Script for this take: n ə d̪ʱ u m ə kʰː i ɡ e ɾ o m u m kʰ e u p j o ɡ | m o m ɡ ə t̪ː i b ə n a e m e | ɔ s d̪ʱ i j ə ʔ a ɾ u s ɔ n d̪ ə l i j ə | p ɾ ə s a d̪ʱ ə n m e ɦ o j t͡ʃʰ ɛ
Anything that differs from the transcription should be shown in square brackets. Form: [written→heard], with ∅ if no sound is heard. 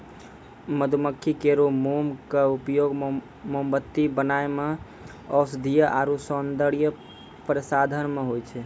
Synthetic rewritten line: [n→m] ə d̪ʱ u m ə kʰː i [ɡ→k] e ɾ o m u m [kʰ→k] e u p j o ɡ | m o m [ɡ→b] ə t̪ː i b ə n a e m e | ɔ s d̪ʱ i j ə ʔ a ɾ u s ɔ n d̪ ə [l→ɽ] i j ə | p ɾ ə s a d̪ʱ ə n m e ɦ o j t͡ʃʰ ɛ